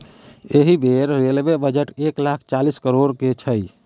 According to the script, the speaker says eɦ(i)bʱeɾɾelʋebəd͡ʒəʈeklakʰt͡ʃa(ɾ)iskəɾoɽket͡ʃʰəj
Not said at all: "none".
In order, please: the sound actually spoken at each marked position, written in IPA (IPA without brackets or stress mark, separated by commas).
i, l